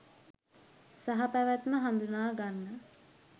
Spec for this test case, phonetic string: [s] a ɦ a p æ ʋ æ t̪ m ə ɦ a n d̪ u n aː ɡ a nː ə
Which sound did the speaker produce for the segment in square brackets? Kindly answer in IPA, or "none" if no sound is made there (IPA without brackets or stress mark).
s